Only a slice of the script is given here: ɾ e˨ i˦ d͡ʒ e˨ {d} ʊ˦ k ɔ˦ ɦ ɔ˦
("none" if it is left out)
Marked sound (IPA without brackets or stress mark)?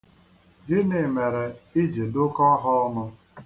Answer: d